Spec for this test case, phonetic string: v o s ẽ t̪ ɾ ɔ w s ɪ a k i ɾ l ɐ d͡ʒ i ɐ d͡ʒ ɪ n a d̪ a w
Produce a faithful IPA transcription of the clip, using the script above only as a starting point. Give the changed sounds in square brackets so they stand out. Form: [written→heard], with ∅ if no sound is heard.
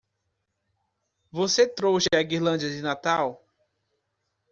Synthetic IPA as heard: v o s [ẽ→e] t̪ ɾ [ɔ→o] w s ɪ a [k→ɡ] i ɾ l [ɐ→ɐ̃] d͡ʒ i ɐ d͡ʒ ɪ n a [d̪→t̪] a w